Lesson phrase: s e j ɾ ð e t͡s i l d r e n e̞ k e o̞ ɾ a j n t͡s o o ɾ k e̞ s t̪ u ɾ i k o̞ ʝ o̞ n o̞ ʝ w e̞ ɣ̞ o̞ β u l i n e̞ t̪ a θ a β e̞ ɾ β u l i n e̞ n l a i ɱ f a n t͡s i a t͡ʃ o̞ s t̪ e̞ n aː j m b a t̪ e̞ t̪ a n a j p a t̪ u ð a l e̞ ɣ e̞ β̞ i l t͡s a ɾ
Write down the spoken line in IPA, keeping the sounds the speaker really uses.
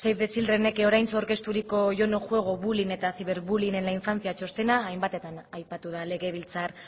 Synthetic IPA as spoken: s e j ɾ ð e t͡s i l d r e n e̞ k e o̞ ɾ a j n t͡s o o ɾ k e̞ s t̪ u ɾ i k o̞ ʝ o̞ n o̞ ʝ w e̞ ɣ̞ o̞ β u l i n e̞ t̪ a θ i β e̞ ɾ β u l i n e̞ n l a i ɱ f a n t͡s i a t͡ʃ o̞ s t̪ e̞ n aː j m b a t̪ e̞ t̪ a n a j p a t̪ u ð a l e̞ ɣ e̞ β̞ i l t͡s a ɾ